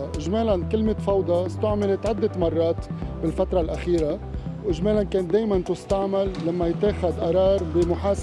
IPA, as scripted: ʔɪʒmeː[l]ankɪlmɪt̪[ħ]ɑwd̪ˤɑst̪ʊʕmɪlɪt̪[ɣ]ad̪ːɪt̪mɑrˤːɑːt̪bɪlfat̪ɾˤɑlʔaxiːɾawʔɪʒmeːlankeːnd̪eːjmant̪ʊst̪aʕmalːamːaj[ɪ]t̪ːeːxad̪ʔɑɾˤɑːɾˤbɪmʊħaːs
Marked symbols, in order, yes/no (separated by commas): yes, no, no, yes